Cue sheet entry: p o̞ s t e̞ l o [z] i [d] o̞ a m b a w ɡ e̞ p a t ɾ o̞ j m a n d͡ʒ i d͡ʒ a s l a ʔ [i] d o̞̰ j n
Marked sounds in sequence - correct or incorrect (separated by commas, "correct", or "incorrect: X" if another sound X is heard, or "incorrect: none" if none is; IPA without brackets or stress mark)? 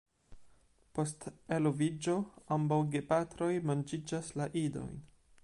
incorrect: v, incorrect: d͡ʒ, correct